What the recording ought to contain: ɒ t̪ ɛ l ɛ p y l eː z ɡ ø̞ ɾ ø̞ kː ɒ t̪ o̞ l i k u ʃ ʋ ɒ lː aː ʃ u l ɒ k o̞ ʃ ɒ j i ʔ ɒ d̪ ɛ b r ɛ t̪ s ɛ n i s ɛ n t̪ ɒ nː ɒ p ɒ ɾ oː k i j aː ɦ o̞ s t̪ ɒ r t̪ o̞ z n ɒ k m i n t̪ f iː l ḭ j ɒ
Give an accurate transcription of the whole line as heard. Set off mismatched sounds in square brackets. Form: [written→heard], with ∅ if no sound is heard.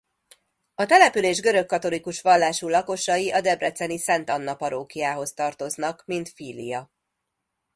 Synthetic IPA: ɒ t̪ ɛ l ɛ p y l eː [z→ʒ] ɡ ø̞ ɾ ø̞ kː ɒ t̪ o̞ l i k u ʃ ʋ ɒ lː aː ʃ u l ɒ k o̞ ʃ ɒ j i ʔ ɒ d̪ ɛ b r ɛ t̪ s ɛ n i s ɛ n t̪ ɒ nː ɒ p ɒ ɾ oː k i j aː ɦ o̞ s t̪ ɒ r t̪ o̞ z n ɒ k m i n t̪ f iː l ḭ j ɒ